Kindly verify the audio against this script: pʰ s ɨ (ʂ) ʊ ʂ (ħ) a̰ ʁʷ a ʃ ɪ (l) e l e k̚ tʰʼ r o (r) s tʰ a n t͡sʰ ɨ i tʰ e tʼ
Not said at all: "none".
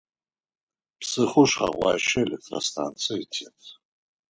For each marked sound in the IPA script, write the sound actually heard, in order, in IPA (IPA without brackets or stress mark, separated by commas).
χ, χ, none, none